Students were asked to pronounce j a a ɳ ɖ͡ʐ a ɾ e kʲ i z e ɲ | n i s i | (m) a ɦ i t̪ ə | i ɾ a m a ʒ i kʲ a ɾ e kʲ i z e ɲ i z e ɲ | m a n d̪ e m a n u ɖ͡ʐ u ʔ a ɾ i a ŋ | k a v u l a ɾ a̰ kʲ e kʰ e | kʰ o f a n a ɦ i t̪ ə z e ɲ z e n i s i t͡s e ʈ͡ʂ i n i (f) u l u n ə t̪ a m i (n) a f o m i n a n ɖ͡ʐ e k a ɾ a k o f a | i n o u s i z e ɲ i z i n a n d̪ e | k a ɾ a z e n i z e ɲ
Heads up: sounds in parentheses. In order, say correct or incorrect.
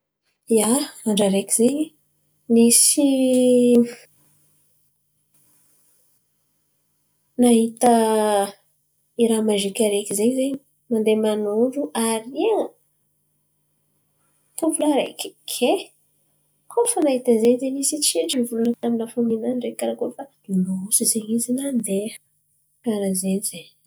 incorrect: n, incorrect: v, correct

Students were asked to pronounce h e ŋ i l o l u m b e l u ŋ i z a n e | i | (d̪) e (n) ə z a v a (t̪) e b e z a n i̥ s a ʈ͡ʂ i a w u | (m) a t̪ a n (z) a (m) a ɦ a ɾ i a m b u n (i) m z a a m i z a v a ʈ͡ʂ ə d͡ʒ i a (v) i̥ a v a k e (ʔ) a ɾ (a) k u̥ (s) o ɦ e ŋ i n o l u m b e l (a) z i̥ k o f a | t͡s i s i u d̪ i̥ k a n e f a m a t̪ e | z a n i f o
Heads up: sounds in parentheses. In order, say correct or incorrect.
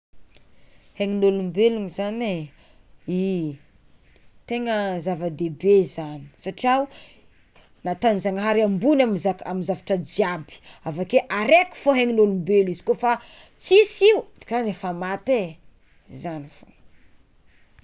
incorrect: t̪, incorrect: ŋ, incorrect: d̪, incorrect: n, correct, incorrect: ŋ, incorrect: a, incorrect: b, correct, incorrect: e, incorrect: f, incorrect: i

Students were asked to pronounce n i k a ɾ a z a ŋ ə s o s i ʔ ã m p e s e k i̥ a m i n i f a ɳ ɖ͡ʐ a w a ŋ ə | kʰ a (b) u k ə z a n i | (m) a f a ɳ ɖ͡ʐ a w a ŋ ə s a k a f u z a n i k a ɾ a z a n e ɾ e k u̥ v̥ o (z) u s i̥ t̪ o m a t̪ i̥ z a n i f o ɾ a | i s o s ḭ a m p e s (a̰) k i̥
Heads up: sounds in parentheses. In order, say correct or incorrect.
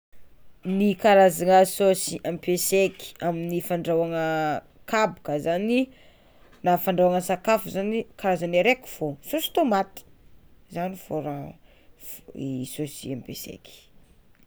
correct, incorrect: n, incorrect: s, incorrect: ḛ

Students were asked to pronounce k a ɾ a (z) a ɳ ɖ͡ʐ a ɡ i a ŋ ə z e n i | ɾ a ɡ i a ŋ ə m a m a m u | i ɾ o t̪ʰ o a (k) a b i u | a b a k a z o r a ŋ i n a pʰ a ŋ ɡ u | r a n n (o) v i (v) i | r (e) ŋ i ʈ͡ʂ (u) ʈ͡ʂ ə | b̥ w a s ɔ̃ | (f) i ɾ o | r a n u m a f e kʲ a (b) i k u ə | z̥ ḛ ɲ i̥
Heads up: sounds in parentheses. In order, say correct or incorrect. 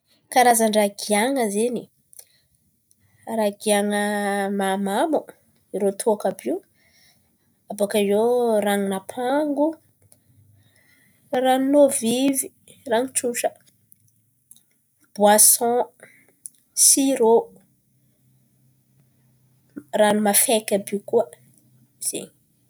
correct, correct, correct, correct, incorrect: a, correct, incorrect: s, correct

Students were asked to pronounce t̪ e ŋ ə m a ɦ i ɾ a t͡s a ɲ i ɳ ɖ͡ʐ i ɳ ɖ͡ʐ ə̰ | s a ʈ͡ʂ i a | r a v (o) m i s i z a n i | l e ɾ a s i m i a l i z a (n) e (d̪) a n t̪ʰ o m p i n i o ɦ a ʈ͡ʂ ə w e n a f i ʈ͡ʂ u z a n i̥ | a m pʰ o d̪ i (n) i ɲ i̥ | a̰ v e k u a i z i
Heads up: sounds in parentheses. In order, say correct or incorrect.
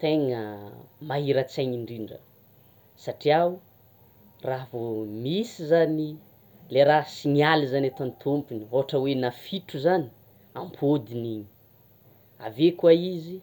correct, correct, incorrect: t̪, correct

